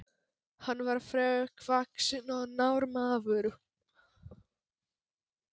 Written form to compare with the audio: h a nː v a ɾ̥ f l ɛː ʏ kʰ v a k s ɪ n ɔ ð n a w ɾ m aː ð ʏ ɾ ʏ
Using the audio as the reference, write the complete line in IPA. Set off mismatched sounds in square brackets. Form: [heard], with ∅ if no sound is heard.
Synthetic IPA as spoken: h a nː v a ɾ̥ f [ɾ] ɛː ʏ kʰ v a k s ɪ n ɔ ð n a w ɾ m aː [v] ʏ ɾ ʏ